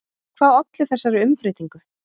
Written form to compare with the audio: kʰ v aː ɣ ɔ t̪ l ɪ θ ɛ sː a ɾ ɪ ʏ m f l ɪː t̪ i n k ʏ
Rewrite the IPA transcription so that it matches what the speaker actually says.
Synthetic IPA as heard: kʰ v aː ð ɔ t̪ l ɪ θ ɛ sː a ɾ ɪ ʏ m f ɾ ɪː t̪ i ŋ k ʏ

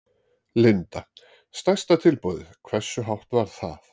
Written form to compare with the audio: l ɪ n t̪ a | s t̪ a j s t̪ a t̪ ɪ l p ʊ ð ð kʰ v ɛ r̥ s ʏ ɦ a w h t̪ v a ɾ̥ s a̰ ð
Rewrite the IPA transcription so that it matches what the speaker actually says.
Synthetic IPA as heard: l ɪ n t̪ a | s t̪ a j s t̪ a t̪ʰ ɪ l p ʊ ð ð kʰ v ɛ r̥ s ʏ ɦ a w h t̪ v a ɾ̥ θ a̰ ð

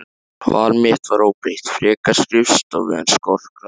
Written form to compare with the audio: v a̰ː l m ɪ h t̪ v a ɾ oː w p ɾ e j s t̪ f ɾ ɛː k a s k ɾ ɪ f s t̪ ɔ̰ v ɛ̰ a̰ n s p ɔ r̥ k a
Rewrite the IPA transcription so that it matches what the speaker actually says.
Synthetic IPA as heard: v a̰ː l m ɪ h t̪ v a ɾ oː w p ɾ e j h t̪ f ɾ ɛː k a s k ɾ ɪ f s t̪ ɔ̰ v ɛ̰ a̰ n s k ɔ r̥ k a

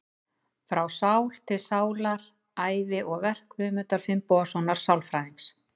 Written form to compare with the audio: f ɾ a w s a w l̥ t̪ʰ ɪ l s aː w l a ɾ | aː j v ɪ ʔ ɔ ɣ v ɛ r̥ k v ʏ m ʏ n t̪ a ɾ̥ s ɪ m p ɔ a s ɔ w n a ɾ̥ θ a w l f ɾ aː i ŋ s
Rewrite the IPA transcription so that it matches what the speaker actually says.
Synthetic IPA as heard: f ɾ a w s a w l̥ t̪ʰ ɪ l s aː w l a ɾ | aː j v ɪ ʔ ɔ ɣ v ɛ r̥ k v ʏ m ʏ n t̪ a ɾ̥ f ɪ m p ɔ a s ɔ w n a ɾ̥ s a w l f ɾ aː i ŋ s

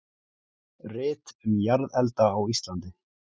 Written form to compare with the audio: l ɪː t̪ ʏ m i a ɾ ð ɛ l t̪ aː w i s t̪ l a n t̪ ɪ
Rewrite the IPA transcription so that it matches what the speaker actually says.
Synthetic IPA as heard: r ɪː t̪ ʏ m j a ɾ ð ɛ l t̪ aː w i s t̪ l a n t̪ ɪ

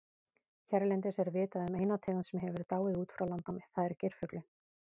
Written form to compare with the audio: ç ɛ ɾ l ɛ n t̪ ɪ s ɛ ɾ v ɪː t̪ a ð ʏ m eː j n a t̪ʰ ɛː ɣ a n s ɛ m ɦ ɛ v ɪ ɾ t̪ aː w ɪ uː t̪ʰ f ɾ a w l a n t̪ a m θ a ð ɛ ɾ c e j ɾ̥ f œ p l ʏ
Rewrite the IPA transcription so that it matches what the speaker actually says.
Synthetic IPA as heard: ç ɛ ɾ l ɛ n t̪ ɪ s ɛ ɾ v ɪː t̪ a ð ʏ m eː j n a t̪ʰ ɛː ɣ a n s ɛ m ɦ ɛ v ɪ ɾ t̪ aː w ɪ uː t̪ f ɾ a w l a n t̪ a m θ a ð ɛ ɾ c e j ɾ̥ f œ k l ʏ

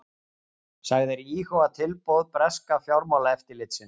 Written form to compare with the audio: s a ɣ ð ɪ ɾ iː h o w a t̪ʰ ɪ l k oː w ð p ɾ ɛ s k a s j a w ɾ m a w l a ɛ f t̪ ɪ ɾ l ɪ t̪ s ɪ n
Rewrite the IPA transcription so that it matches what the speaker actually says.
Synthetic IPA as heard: s a ɣ ð ɪ ɾ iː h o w a t̪ʰ ɪ l p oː w ð p ɾ ɛ s k a f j a w ɾ m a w l a ɛ f t̪ ɪ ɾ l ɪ t̪ s ɪ n

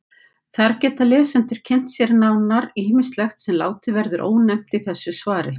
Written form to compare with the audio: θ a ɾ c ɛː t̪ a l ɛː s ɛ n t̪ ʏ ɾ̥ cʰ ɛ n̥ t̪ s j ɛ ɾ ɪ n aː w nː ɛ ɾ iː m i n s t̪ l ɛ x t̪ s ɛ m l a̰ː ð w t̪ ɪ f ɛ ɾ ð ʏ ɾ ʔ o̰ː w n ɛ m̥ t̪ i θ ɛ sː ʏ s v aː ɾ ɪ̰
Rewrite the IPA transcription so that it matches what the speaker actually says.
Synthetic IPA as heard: θ a ɾ c ɛː t̪ a l ɛː s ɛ n t̪ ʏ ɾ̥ cʰ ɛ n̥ t̪ s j ɛ ɾ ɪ n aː w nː a ɾ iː m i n s t̪ l ɛ x t̪ s ɛ m l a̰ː w t̪ ɪ v ɛ ɾ ð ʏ ɾ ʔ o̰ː w n ɛ m̥ t̪ i θ ɛ sː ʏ s v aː ɾ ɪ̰

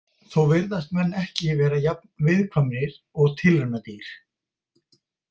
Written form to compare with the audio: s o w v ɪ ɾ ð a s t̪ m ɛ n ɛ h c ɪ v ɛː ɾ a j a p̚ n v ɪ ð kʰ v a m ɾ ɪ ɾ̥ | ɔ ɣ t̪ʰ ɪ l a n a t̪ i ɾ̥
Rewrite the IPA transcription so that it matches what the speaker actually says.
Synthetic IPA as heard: θ o w v ɪ ɾ ð a s t̪ m ɛ nː ɛ h c ɪ v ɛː ɾ a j a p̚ n v ɪ ð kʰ v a m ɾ ɪ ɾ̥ | ɔ ɣ t̪ʰ ɪ l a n a t̪ i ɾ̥

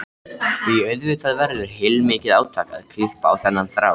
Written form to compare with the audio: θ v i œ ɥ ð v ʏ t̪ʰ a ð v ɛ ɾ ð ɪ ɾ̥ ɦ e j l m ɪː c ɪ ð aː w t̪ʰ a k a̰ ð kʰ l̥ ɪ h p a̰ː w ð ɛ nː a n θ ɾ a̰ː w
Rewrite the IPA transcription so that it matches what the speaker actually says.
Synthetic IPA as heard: θ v i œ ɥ ð v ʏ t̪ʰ a ð v ɛ ɾ ð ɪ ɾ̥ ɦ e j l m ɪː c ɪ ð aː w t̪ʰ a k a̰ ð kʰ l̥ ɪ h p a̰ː w θ ɛ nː a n θ ɾ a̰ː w

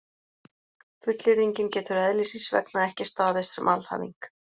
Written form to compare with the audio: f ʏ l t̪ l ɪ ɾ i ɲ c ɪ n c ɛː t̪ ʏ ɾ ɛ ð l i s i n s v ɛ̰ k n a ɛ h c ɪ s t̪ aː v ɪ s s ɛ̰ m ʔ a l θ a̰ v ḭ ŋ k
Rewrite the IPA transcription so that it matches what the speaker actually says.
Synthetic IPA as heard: f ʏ t̪ l ɪ ɾ i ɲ c ɪ n c ɛː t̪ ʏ ɾ ɛ ð l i s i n s v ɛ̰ k n a ɛ h c ɪ s t̪ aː ð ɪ s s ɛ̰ m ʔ a l h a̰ v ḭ ŋ k

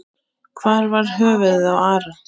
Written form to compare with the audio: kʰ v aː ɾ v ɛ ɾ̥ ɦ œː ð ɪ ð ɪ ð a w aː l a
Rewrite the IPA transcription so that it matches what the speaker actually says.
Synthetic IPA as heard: kʰ v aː ɾ v a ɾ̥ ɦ œː v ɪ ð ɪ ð a w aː ɾ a

